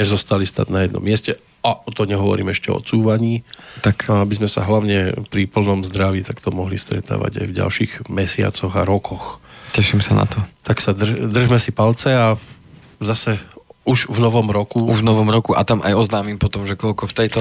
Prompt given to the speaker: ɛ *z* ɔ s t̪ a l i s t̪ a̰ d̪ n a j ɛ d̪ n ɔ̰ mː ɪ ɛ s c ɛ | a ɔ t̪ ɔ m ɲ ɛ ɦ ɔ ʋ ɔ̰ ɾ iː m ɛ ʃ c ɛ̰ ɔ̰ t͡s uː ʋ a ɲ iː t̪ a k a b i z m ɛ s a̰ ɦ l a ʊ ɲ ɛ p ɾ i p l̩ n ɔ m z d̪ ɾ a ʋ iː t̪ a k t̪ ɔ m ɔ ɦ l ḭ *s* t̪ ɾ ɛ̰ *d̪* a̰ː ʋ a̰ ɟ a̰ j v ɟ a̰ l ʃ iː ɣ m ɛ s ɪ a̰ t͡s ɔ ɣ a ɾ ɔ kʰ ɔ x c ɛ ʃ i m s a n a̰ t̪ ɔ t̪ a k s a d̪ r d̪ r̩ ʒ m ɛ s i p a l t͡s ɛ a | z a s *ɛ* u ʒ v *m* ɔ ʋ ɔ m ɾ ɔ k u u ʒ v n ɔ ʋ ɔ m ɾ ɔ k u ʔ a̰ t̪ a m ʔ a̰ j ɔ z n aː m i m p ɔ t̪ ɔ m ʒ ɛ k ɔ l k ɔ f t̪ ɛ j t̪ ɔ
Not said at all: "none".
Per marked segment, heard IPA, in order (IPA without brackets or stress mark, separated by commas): z, s, t̪, ɛ, n